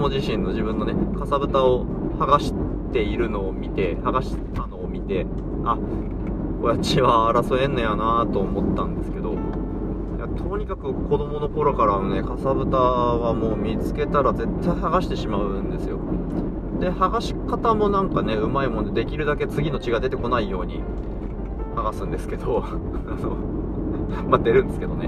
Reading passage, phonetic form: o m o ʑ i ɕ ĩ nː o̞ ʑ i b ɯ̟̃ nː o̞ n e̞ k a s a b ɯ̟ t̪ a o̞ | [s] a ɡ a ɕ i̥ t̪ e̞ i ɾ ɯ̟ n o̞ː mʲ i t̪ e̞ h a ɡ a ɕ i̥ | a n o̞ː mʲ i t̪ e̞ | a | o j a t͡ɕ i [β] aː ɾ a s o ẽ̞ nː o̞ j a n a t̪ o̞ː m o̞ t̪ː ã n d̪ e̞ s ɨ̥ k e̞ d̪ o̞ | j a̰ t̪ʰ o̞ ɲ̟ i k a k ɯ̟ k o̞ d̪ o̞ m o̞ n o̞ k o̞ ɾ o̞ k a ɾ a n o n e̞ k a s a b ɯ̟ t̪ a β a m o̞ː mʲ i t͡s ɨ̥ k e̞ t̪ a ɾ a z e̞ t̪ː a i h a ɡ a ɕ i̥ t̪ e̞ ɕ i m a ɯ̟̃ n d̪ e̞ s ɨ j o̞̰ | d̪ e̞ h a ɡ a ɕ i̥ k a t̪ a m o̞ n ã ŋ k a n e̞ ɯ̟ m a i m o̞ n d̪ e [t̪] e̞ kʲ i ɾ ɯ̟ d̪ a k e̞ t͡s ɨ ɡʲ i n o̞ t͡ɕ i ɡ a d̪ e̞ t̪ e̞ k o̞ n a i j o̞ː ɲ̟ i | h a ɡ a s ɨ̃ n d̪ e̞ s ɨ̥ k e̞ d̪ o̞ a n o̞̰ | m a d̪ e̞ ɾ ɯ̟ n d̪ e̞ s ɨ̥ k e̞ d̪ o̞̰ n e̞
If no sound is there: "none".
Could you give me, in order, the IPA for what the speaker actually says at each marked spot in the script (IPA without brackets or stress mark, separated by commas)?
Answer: h, β, d̪